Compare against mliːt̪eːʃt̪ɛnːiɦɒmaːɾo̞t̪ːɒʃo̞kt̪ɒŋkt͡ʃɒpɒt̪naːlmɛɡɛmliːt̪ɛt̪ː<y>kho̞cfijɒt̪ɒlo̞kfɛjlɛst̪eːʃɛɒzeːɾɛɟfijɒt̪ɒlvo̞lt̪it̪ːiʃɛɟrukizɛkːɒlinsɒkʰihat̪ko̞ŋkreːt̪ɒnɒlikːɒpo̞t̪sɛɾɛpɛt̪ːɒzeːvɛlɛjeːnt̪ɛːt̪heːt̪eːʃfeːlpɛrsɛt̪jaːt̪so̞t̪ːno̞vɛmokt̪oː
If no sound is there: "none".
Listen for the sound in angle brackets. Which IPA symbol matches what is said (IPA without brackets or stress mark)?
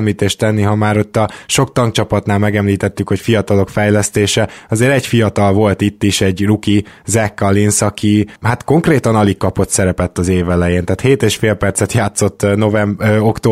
y